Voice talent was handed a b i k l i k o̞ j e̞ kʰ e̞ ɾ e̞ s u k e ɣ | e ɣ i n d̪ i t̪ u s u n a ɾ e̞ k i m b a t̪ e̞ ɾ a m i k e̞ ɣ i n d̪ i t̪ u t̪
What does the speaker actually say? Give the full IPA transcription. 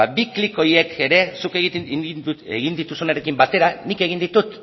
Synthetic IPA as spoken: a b i k l i k o̞ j e̞ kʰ e̞ ɾ e̞ s u k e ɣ | e ɣ i n d̪ i t̪ u s u n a ɾ e̞ k i m b a t̪ e̞ ɾ a n i k e̞ ɣ i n d̪ i t̪ u t̪